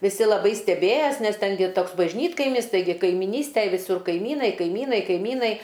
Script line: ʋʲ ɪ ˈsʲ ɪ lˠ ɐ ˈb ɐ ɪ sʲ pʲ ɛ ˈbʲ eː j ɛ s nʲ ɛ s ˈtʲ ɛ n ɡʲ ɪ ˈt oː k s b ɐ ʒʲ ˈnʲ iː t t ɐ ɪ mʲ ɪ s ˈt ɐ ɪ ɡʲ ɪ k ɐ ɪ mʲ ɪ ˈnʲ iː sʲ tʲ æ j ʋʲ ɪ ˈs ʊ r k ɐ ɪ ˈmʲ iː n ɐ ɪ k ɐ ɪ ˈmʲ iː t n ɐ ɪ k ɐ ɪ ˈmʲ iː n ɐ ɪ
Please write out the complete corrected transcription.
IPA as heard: ʋʲ ɪ ˈsʲ ɪ lˠ ɐ ˈb ɐ ɪ sʲ tʲ ɛ ˈbʲ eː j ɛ s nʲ ɛ s ˈtʲ ɛ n ɡʲ ɪ ˈt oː k s b ɐ ʒʲ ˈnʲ iː t k ɐ ɪ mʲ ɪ s ˈt ɐ ɪ ɡʲ ɪ k ɐ ɪ mʲ ɪ ˈnʲ iː sʲ tʲ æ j ʋʲ ɪ ˈs ʊ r k ɐ ɪ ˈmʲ iː n ɐ ɪ k ɐ ɪ ˈmʲ iː n ɐ ɪ k ɐ ɪ ˈmʲ iː n ɐ ɪ